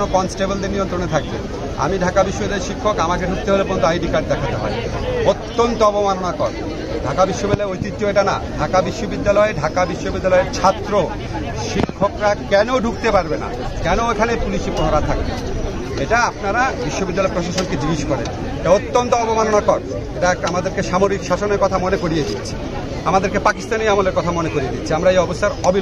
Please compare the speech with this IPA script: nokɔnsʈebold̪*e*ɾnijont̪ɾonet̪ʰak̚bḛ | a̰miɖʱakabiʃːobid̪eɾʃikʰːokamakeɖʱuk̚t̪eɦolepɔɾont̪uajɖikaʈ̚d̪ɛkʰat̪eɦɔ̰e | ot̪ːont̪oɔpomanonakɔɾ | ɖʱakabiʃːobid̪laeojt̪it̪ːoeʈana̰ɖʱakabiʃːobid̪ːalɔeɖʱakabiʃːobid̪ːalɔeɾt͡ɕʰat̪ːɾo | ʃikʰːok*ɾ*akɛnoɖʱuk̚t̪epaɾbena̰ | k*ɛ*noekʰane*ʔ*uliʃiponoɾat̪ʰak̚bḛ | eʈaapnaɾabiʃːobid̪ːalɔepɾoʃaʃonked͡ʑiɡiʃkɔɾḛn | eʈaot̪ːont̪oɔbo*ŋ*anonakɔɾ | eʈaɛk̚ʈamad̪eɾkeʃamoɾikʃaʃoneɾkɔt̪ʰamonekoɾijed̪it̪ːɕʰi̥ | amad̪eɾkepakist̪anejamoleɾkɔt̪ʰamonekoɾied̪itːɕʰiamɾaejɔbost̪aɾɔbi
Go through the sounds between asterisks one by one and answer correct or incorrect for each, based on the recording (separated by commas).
correct, correct, correct, incorrect, incorrect